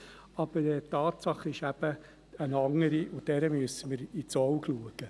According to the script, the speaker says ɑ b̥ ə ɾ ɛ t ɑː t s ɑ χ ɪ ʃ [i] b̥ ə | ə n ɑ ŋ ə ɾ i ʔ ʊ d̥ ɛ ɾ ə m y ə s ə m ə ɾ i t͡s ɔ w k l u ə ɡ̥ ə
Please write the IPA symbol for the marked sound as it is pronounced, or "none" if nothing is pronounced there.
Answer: æ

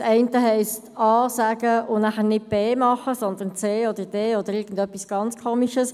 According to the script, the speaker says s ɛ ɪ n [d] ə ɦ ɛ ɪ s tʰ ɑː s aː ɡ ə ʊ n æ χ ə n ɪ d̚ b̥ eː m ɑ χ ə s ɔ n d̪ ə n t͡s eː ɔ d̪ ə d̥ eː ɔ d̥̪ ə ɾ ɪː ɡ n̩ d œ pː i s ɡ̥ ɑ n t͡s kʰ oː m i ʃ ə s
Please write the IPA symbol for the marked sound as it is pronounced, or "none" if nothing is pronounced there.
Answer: t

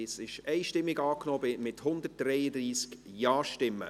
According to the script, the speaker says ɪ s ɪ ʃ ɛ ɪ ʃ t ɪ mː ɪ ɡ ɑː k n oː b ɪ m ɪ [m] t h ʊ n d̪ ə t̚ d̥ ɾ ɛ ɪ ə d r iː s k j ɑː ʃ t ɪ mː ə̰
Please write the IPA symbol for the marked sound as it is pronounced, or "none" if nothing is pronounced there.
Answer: none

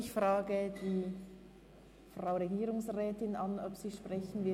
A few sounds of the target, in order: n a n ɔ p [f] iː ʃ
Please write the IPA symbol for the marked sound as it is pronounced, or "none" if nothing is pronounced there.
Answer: s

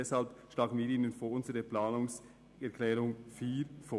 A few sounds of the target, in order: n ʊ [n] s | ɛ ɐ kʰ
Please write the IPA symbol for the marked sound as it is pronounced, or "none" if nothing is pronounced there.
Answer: ŋ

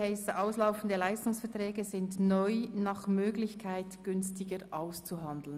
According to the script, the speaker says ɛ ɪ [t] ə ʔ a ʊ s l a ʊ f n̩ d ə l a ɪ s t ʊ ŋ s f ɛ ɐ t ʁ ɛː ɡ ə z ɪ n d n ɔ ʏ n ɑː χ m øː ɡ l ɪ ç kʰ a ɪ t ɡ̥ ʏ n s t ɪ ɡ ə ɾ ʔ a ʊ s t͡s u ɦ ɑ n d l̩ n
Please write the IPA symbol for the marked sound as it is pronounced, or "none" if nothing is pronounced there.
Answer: s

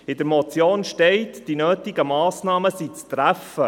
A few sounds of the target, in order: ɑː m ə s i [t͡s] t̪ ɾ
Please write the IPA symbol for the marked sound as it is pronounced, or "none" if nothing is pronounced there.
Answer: t͡s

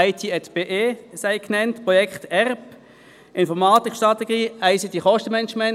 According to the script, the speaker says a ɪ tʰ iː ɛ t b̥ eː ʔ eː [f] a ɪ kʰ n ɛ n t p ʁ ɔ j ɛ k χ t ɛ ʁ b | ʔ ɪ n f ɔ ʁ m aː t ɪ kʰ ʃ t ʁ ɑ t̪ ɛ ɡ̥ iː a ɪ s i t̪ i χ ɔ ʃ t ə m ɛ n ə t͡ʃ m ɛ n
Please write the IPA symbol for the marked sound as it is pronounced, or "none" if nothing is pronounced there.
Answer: s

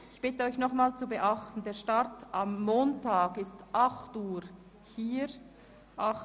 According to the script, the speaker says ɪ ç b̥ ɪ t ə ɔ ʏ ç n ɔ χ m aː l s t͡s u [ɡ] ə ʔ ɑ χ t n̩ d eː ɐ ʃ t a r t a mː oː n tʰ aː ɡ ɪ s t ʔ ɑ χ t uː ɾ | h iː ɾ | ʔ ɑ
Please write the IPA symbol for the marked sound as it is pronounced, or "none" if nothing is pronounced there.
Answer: b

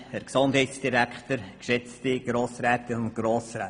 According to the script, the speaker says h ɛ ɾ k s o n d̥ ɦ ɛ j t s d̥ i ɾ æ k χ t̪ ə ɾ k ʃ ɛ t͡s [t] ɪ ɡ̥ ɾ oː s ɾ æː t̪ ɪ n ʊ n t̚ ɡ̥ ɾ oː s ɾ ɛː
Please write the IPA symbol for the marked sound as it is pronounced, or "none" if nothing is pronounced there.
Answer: t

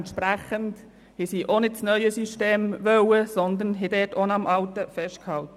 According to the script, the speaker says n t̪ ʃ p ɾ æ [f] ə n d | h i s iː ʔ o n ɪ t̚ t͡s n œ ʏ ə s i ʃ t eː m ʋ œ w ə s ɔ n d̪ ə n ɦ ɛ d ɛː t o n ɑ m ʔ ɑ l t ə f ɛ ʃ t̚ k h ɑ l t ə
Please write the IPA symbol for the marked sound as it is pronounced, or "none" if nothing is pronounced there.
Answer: χ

